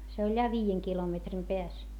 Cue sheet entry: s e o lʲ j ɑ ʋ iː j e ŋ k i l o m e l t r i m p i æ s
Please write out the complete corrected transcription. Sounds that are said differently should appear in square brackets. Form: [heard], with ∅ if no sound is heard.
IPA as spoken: s e o lʲ j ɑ ʋ iː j e ŋ k i l o m e [∅] t r i m p [e] æ s